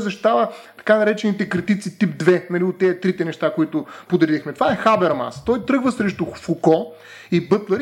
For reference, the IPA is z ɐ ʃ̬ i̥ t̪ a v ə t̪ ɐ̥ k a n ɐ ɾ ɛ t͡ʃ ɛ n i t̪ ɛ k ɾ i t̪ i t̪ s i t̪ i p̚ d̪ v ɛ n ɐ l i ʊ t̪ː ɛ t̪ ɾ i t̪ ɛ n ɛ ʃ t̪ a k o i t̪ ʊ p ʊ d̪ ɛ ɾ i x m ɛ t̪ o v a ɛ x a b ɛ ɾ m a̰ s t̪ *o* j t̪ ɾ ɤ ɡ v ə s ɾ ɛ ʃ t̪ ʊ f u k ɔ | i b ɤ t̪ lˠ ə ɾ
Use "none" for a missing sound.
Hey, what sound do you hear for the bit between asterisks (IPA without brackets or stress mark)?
ɔ